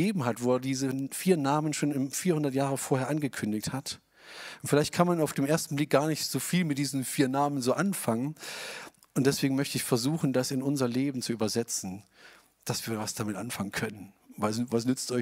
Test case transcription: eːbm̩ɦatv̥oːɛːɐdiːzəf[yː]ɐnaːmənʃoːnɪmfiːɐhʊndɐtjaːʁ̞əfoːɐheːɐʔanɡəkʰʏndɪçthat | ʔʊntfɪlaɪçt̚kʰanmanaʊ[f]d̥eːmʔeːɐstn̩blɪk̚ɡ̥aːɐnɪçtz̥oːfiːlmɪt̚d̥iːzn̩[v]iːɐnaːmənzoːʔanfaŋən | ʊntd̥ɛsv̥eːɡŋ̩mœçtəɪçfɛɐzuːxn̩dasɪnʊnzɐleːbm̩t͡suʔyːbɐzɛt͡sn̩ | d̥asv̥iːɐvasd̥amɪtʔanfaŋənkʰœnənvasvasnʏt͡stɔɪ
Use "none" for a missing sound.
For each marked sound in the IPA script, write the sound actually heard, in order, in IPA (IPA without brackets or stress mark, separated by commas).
iː, f, f